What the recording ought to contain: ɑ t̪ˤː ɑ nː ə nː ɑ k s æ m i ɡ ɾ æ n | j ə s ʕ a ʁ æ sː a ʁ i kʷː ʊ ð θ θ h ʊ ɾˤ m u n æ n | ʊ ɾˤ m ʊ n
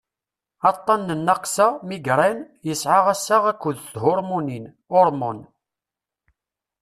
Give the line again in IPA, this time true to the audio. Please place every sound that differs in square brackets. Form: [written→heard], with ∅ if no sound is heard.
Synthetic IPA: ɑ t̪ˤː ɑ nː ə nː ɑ [k→q] s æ m i ɡ ɾ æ n | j ə s ʕ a ʁ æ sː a ʁ [i→æ] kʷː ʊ ð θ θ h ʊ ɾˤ m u n [æ→i] n | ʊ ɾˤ m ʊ n